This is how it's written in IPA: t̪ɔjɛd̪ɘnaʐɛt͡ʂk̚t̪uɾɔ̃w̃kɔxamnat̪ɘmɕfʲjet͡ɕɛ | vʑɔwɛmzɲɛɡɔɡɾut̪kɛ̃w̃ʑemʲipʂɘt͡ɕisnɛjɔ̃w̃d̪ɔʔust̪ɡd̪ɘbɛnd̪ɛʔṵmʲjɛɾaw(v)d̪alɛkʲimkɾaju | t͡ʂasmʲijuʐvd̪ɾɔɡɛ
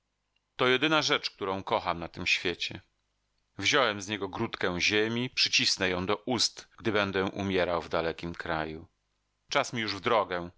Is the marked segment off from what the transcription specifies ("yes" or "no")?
no